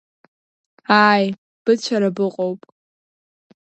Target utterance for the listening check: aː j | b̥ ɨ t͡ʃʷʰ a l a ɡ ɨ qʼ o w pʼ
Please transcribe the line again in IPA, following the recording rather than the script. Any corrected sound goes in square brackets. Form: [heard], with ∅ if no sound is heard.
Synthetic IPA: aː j | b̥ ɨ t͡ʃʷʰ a [ɾ] a [b] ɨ qʼ o w pʼ